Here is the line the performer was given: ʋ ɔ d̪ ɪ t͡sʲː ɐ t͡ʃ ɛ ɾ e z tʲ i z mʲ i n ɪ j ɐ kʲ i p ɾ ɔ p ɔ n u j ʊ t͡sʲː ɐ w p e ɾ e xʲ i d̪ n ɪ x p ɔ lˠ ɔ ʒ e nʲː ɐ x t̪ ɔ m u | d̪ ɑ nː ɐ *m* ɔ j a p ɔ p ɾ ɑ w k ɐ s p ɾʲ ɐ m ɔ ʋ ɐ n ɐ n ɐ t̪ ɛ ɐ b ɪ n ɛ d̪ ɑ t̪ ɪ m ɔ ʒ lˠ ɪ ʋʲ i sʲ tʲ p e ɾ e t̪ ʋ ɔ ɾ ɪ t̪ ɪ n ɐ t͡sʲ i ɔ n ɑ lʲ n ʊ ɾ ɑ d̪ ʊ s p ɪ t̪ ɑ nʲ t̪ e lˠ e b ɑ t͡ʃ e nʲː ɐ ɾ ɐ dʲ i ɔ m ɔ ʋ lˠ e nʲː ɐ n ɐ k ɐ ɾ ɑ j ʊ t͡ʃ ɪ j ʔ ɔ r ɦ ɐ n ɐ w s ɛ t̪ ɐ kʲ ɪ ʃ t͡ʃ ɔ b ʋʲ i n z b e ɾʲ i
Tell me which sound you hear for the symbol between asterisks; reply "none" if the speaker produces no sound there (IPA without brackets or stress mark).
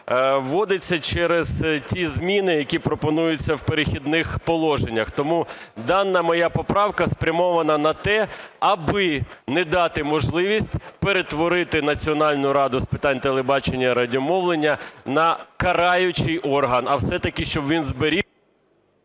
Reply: m